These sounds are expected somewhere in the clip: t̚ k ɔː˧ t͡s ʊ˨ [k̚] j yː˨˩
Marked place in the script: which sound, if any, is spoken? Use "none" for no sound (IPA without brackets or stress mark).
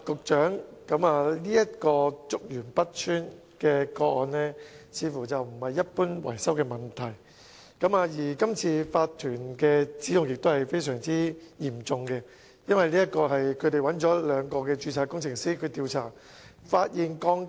k̚